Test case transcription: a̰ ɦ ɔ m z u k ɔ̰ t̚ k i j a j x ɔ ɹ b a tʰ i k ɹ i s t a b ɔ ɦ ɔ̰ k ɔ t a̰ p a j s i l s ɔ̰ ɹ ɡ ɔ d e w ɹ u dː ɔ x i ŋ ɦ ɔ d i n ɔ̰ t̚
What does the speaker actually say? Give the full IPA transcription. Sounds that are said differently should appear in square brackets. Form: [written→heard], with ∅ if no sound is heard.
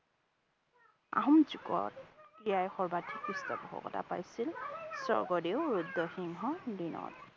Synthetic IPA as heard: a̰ ɦ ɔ m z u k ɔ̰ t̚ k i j a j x ɔ ɹ b a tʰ i k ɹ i s t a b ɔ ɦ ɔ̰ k ɔ t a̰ p a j s i l s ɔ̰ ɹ ɡ ɔ d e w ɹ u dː ɔ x i ŋ ɦ ɔ d i n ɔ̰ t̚